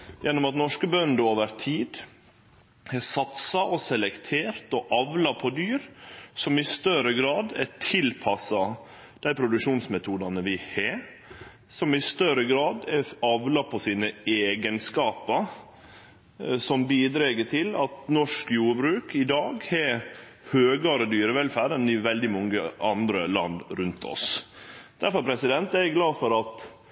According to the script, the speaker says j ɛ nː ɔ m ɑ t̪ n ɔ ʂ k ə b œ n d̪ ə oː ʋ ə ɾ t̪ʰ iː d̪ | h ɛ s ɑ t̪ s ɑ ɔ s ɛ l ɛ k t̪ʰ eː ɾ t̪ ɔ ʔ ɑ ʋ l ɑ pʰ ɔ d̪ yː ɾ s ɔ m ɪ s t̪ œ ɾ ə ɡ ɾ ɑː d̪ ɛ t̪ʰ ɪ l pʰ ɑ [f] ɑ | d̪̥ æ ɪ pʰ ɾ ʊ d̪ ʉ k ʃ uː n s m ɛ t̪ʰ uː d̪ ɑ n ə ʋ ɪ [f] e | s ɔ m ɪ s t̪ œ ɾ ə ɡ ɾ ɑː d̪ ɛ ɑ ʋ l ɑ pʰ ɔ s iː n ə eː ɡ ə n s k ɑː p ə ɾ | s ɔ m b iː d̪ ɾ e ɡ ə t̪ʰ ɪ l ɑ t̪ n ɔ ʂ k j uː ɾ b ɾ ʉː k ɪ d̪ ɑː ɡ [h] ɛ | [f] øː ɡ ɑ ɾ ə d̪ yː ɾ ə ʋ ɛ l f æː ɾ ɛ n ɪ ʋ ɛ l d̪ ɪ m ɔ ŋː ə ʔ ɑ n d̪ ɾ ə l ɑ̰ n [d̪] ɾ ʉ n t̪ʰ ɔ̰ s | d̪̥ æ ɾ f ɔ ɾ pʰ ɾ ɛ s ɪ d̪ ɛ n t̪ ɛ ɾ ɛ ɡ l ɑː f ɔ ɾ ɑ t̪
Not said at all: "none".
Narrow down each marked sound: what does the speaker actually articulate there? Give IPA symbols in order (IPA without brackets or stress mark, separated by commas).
s, h, h, h, d̪